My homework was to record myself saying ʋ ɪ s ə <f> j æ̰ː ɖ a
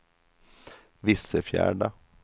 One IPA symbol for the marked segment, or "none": f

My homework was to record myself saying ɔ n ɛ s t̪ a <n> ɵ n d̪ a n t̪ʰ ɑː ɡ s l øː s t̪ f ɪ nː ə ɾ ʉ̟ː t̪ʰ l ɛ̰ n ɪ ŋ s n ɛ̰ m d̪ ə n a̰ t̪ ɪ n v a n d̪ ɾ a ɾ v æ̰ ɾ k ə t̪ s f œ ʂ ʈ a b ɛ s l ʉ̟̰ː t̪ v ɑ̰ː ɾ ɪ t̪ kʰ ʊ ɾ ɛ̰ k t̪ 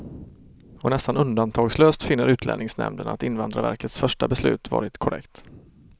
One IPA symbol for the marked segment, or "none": n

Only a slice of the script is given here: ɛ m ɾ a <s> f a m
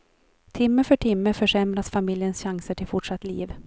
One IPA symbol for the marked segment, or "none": s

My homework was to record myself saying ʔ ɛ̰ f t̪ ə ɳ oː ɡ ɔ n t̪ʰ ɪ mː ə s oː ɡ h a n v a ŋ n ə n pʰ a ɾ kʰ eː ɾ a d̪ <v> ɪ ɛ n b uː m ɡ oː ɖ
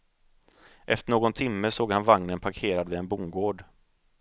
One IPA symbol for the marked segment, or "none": v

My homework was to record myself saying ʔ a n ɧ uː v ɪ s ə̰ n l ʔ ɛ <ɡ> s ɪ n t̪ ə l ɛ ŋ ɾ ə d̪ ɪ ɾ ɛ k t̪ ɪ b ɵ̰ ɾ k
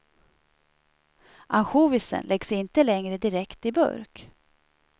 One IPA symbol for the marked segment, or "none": ɡ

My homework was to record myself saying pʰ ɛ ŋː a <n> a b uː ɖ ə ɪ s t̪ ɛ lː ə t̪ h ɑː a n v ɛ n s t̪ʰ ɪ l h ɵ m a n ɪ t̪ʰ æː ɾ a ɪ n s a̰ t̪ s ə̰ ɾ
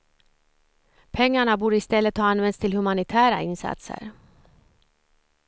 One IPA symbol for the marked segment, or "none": ɳ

